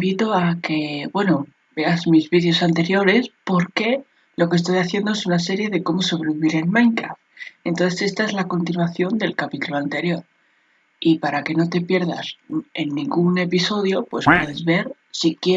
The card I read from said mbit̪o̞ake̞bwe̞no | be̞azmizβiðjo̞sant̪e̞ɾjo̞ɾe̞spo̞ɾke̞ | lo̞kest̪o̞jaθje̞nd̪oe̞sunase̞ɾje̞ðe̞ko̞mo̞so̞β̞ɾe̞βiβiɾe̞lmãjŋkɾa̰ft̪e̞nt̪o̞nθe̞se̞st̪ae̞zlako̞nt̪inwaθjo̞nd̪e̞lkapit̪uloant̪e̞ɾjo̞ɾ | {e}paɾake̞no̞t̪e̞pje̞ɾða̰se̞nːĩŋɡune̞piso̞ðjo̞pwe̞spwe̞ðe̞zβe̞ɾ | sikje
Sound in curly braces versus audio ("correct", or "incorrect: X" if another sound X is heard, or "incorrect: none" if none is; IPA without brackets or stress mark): incorrect: i